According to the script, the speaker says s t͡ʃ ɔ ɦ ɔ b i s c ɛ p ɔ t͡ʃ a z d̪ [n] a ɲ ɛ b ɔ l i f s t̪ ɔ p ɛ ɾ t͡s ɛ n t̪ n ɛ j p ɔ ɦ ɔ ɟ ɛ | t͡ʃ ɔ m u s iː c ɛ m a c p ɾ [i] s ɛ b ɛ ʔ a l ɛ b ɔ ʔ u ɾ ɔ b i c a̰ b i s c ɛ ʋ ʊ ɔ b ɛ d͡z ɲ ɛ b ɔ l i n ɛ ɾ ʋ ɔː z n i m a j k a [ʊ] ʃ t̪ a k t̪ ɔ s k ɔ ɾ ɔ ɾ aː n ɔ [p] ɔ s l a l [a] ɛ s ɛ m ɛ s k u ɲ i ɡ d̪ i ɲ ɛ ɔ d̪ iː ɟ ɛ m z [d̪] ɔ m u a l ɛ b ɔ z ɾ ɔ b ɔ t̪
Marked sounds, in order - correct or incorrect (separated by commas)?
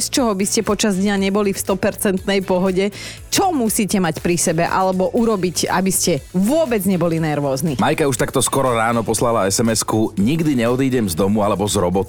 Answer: incorrect, correct, incorrect, correct, correct, correct